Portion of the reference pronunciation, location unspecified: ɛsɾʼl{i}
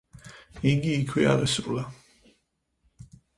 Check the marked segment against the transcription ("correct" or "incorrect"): incorrect